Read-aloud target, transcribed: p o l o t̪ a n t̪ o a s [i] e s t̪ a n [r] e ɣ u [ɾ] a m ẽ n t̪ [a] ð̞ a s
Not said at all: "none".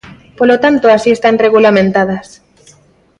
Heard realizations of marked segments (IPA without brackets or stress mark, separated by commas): i, r, l, a